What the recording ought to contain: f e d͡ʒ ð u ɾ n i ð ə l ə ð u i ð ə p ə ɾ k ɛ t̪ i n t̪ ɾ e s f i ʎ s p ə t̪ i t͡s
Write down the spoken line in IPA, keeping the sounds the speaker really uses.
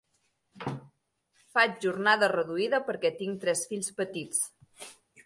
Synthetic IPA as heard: f a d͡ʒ ʒ u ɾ n a ð ə r ə ð u i ð ə p ə ɾ k ɛ t̪ i ŋ t̪ ɾ ɛ s f i ʎ s p ə t̪ i t͡s

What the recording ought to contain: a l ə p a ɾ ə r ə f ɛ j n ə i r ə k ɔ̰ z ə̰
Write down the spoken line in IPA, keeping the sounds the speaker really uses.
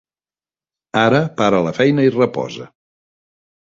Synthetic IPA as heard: a ɾ ə p a ɾ ə l ə f ɛ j n ə i r ə p ɔ̰ z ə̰

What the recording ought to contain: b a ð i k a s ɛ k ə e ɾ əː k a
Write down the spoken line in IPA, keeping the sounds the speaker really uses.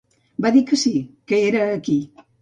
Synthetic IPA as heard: b a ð i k ə s i k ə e ɾ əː k i

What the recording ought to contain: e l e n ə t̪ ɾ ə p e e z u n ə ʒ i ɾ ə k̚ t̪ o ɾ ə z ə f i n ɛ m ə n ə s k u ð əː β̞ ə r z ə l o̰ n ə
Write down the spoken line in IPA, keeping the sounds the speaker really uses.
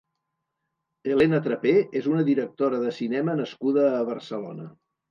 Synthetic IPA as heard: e l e n ə t̪ ɾ ə p e e z u n ə ð i ɾ ə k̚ t̪ o ɾ ə ð ə s i n ɛ m ə n ə s k u ð əː β̞ ə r s ə l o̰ n ə

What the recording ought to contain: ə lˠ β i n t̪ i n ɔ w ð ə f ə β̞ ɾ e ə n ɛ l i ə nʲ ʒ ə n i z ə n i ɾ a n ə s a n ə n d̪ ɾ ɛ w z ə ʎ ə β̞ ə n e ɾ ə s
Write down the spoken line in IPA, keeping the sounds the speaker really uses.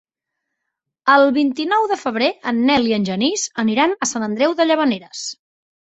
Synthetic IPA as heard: ə lˠ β i n t̪ i n ɔ w ð ə f ə β̞ ɾ e ə nː ɛ l i ə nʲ ʒ ə n i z ə n i ɾ a n ə s a n ə n d̪ ɾ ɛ w ð ə ʎ ə β̞ ə n e ɾ ə s

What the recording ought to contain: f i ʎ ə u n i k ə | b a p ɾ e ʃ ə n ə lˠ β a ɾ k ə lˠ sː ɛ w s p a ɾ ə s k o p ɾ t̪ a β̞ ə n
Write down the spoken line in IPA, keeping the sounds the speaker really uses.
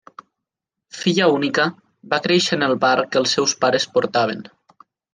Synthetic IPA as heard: f i ʎ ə u n i k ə | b a k ɾ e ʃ ə n ə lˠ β a ɾ k ə lˠ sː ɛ w s p a ɾ ə s p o ɾ t̪ a β̞ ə n

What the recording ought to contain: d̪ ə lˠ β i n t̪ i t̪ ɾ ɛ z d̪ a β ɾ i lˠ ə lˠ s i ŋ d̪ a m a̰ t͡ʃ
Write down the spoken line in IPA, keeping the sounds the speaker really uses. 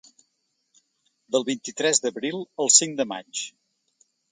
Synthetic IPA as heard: d̪ ə lˠ β i n t̪ i t̪ ɾ ɛ z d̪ ə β ɾ i lˠ ə lˠ s i ŋ d̪ ə m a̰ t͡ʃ

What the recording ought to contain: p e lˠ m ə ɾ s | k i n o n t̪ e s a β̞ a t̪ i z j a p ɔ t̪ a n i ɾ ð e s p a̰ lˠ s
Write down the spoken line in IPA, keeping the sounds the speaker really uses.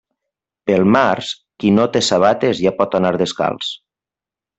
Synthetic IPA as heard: p e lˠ m a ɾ s | k i n o t̪ e s a β̞ a t̪ e z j a p ɔ t̪ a n a ɾ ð e s k a̰ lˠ s

